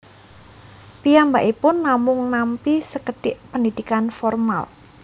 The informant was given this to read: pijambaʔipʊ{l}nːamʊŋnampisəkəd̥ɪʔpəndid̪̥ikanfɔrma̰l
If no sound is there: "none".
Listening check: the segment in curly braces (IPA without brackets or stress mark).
none